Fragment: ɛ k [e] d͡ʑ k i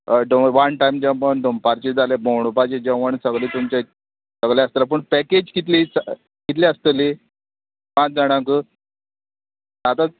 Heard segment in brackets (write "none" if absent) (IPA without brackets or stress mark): e